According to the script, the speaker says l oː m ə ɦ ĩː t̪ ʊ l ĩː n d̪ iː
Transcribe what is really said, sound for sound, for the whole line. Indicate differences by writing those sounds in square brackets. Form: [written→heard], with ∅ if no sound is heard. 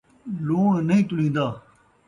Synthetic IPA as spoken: l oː [m→n] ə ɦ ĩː t̪ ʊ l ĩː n d̪ [iː→aː]